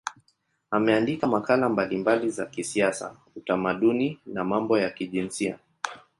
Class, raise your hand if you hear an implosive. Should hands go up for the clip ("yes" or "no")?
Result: yes